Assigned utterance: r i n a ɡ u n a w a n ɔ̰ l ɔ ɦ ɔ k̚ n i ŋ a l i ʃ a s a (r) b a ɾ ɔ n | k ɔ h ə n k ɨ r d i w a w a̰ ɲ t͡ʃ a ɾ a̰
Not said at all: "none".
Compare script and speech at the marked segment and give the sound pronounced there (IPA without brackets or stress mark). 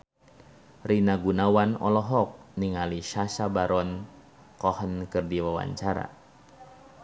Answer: none